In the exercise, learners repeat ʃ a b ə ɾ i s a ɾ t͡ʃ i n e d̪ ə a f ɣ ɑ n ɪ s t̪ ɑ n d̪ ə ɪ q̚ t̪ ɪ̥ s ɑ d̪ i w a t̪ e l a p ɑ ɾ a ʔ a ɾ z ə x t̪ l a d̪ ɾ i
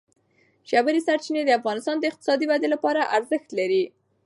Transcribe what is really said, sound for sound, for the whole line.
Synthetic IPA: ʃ a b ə ɾ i s a ɾ t͡ʃ i n e d̪ ə a f ɣ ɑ n ɪ s t̪ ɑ n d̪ ə ɪ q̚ t̪ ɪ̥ s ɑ d̪ i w a d̪ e l a p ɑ ɾ a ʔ a ɾ z ə x t̪ l a ɾ i